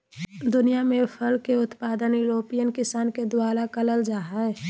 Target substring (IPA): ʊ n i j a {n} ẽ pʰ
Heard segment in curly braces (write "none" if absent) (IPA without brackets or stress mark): m